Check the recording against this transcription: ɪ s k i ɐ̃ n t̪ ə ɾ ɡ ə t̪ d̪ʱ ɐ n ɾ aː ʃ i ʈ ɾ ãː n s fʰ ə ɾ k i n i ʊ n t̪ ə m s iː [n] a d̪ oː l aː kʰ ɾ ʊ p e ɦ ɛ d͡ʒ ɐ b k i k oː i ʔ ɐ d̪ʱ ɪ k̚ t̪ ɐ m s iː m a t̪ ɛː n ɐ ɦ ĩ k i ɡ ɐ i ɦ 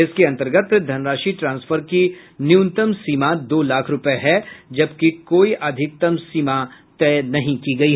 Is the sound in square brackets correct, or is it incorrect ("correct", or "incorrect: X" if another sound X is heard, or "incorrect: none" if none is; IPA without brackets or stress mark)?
incorrect: m